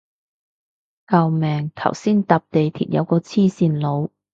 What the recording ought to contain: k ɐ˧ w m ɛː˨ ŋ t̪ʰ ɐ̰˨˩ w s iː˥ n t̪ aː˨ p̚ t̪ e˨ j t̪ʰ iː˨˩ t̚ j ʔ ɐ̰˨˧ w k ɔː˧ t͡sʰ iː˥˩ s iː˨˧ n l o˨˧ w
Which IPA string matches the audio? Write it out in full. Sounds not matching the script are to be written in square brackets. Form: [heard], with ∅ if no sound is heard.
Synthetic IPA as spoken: k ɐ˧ w m ɛː˨ ŋ t̪ʰ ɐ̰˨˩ w s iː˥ n t̪ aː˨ p̚ t̪ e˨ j t̪ʰ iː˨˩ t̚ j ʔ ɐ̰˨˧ w k ɔː˧ t͡sʰ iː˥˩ s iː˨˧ n l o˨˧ w